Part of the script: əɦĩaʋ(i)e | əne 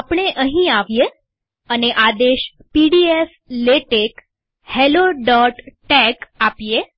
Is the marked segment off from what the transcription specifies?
yes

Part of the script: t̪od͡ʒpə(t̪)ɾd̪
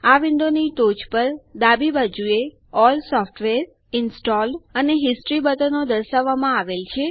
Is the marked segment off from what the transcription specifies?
yes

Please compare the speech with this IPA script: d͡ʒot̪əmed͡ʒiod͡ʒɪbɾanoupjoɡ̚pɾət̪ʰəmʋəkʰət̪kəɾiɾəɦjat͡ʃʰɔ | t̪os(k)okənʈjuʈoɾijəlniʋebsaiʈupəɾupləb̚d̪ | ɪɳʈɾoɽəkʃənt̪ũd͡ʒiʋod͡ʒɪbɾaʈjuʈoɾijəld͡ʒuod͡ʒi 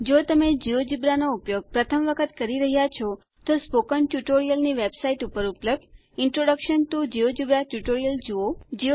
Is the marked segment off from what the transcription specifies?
yes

